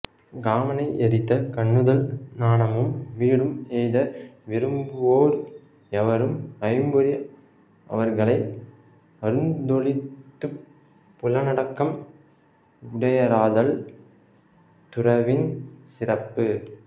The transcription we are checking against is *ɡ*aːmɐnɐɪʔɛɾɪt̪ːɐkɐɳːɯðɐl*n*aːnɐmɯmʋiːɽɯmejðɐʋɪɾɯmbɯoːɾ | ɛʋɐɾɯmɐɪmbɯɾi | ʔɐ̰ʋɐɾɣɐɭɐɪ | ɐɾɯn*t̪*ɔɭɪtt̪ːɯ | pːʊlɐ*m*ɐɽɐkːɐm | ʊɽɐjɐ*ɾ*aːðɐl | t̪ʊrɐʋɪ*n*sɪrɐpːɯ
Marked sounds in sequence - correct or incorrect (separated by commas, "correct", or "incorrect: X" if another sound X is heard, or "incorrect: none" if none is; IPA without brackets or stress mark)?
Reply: correct, correct, incorrect: d̪, incorrect: n, correct, correct